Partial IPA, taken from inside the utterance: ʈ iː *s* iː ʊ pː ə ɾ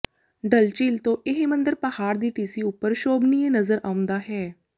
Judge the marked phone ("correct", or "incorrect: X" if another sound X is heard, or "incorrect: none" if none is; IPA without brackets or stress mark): correct